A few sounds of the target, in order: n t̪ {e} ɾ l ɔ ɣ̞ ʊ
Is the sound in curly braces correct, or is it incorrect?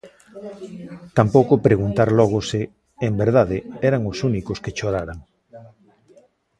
incorrect